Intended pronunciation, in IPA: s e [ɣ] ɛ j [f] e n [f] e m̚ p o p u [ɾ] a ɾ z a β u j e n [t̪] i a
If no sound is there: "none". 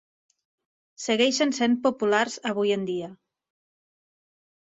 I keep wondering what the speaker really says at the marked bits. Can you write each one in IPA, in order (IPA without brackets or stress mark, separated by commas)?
ɣ, ʃ, s, l, d̪